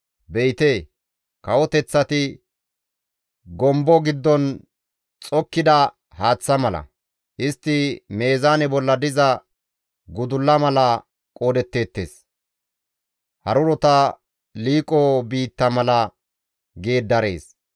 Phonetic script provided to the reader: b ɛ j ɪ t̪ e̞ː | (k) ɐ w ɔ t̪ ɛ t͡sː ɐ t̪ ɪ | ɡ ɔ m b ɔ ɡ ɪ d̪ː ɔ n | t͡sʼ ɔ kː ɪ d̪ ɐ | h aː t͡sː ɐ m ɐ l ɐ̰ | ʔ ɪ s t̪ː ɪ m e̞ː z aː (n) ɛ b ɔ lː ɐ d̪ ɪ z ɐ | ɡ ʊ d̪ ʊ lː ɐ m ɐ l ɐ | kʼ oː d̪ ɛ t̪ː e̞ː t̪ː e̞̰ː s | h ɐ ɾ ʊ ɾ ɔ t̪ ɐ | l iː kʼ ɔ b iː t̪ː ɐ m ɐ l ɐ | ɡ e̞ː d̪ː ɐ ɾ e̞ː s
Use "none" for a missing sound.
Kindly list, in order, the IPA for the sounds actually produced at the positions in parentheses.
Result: k, n

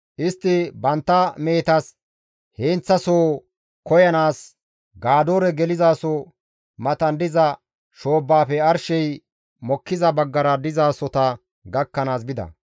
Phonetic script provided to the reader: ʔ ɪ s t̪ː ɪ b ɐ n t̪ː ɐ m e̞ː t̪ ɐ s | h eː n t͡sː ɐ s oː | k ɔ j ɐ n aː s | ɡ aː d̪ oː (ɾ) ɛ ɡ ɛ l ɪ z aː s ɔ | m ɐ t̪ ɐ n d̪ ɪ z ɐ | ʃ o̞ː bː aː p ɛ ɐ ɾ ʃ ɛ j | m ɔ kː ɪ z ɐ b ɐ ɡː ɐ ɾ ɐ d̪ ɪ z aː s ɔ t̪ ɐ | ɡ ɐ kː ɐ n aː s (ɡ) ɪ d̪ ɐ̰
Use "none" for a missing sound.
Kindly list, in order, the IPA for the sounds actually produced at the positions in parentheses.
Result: ɾ, b

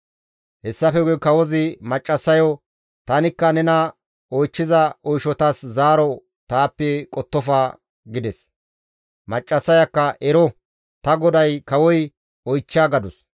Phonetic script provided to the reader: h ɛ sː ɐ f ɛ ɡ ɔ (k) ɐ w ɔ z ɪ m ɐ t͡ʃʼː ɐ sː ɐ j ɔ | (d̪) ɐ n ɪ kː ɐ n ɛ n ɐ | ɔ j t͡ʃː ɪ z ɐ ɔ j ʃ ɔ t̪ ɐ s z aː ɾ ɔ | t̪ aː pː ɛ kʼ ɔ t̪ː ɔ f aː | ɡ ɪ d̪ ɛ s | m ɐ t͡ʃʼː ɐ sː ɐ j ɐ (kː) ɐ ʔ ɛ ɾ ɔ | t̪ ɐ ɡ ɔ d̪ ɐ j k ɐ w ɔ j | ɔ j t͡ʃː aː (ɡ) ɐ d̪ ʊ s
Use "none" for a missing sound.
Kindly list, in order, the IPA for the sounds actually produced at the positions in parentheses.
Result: k, t̪, kː, ɡ

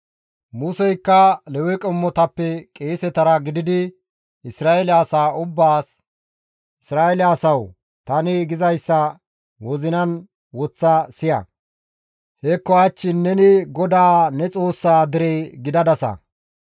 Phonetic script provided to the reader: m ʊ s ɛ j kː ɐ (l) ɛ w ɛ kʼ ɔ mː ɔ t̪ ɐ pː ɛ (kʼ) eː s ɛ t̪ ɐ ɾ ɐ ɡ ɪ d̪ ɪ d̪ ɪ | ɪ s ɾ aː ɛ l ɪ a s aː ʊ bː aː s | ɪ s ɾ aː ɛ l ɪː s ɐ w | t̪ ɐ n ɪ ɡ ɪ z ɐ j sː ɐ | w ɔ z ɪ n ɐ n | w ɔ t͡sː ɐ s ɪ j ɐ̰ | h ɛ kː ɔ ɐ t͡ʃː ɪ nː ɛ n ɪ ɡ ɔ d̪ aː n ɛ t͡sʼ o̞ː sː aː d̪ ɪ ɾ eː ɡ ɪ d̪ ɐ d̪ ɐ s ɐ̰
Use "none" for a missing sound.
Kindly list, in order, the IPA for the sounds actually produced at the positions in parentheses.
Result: l, kʼ

